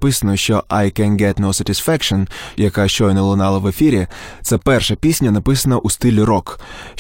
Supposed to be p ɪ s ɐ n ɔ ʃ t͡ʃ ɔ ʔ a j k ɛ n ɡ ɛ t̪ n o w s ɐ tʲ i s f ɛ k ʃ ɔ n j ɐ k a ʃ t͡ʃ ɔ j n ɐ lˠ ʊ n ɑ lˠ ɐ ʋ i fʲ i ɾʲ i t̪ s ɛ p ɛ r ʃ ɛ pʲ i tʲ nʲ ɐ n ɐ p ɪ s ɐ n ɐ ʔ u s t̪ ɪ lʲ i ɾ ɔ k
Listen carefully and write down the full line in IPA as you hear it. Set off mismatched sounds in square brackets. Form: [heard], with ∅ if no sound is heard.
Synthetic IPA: p ɪ s ɐ n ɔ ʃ t͡ʃ ɔ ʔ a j k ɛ n ɡ ɛ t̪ n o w s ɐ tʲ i s f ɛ k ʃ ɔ n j ɐ k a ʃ t͡ʃ ɔ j n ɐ lˠ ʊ n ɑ lˠ ɐ ʋ [e] fʲ i ɾʲ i t̪ s ɛ p ɛ r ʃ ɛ pʲ i [sʲ] nʲ ɐ n ɐ p ɪ s ɐ n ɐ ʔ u s t̪ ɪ lʲ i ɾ ɔ k